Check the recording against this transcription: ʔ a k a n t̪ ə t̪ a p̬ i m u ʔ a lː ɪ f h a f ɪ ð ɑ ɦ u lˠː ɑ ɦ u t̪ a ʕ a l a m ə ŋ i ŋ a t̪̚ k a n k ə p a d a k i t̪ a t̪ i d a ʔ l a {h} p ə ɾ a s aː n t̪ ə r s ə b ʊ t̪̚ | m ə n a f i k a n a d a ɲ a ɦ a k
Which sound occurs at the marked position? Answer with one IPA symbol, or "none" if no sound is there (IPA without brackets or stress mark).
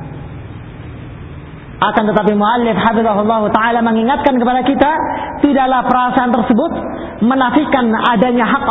h